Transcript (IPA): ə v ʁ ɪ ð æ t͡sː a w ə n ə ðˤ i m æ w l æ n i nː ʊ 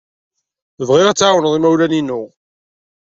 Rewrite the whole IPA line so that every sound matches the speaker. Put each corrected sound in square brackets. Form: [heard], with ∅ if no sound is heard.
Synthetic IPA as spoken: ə v ʁ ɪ [ʁ] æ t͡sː a w ə n ə ðˤ i m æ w l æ n i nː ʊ